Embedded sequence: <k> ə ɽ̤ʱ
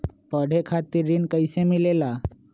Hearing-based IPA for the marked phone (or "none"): p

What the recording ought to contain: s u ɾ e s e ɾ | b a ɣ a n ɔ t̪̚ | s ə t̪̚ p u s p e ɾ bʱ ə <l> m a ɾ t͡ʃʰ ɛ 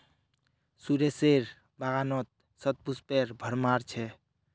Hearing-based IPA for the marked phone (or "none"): ɾ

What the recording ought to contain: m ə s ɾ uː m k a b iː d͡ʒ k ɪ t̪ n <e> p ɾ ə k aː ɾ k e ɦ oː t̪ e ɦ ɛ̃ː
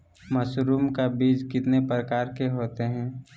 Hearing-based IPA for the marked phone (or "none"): e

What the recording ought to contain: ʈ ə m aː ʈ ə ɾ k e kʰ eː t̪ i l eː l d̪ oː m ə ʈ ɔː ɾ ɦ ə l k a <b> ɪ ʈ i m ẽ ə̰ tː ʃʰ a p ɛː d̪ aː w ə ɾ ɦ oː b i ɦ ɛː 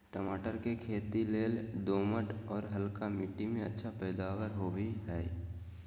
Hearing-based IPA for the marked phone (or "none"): m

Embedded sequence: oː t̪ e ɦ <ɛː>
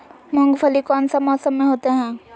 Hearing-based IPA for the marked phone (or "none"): ɛ̃ː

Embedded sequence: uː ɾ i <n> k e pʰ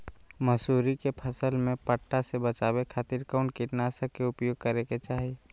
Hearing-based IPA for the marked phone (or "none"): none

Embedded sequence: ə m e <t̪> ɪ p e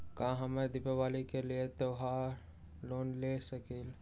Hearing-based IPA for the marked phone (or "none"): d̪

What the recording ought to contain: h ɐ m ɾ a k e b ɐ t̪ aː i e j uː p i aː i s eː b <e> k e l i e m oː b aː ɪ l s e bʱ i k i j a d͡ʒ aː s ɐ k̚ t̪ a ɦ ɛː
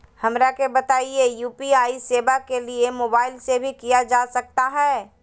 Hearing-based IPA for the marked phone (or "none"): a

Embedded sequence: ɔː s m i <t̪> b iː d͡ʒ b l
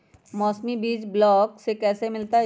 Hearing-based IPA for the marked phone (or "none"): none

